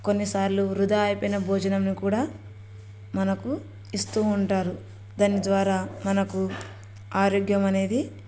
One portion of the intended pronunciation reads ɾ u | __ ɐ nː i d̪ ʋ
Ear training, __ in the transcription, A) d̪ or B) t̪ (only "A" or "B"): A